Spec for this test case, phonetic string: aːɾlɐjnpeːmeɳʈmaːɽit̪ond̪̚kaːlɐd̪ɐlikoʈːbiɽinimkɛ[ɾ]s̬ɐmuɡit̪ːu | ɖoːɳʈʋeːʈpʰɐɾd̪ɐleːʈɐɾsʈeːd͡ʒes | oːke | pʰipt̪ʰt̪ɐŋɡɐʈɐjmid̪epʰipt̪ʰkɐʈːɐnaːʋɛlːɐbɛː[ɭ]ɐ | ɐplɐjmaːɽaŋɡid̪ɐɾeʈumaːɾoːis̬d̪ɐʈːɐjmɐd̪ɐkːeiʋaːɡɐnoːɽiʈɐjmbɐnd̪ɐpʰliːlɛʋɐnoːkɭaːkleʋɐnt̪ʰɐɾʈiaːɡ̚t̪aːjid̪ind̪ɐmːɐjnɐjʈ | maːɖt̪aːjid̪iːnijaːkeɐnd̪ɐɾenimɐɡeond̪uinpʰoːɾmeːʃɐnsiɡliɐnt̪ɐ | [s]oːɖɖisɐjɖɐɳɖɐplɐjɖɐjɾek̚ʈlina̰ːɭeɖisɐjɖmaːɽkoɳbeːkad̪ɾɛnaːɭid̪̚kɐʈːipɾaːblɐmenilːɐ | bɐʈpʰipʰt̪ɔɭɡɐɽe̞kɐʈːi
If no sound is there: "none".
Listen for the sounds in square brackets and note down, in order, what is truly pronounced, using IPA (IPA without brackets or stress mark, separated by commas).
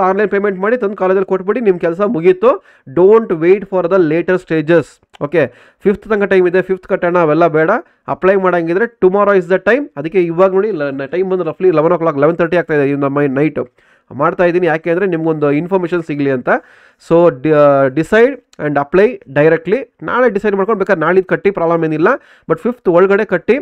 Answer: l, ɽ, s